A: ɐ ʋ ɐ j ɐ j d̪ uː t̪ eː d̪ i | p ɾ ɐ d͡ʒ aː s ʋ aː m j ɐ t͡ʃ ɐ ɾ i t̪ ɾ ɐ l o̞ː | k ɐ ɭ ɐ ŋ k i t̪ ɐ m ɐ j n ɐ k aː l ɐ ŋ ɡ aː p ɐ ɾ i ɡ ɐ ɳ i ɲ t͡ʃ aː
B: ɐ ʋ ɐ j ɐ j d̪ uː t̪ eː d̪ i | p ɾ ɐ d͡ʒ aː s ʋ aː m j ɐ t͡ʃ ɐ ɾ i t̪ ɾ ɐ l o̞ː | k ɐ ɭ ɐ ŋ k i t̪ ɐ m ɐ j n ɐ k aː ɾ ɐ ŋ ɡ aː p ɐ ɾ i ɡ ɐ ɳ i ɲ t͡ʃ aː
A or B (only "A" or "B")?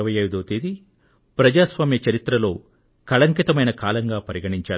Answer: A